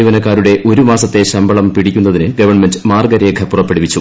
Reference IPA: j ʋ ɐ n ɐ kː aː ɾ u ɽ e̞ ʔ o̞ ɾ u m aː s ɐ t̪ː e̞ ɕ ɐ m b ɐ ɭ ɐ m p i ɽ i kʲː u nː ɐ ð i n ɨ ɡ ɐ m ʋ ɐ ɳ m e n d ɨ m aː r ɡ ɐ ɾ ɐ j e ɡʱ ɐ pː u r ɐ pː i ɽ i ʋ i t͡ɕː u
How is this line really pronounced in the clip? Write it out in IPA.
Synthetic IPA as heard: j ʋ ɐ n ɐ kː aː ɾ u ɽ e̞ ʔ o̞ ɾ u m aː s ɐ t̪ː e̞ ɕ ɐ m b ɐ ɭ ɐ m p i ɽ i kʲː u nː ɐ ð i n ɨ ɡ ɐ ʋ ɐ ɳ m e n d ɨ m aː r ɡ ɐ ɾ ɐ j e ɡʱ ɐ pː u r ɐ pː e ɽ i ʋ i t͡ɕː u